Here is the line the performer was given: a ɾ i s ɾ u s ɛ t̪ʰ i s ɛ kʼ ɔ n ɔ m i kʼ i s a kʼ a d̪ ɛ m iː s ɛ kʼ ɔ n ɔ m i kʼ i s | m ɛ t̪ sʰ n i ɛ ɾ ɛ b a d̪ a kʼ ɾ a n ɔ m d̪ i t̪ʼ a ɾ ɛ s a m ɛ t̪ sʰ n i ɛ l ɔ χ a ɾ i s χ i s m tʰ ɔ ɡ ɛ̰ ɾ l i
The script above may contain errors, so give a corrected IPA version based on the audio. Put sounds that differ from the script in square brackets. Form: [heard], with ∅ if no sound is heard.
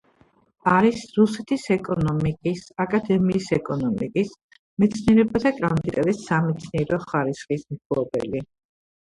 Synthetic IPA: a ɾ i s ɾ u s ɛ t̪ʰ i s ɛ kʼ ɔ n ɔ m i kʼ i s a kʼ a d̪ ɛ m iː s ɛ kʼ ɔ n ɔ m i kʼ i s | m ɛ t̪ sʰ n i ɛ ɾ ɛ b a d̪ a kʼ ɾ a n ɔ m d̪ i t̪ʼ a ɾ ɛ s a m ɛ t̪ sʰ n i ɛ [ɾ] ɔ χ a ɾ i s χ i s m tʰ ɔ [b] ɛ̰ [∅] l i